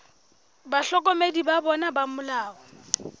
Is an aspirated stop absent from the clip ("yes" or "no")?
yes